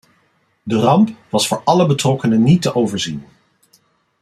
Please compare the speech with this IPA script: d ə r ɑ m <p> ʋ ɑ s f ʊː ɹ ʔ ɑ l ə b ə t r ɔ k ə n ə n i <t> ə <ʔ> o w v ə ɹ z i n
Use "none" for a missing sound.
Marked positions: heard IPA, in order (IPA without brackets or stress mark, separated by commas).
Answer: p, t, ʔ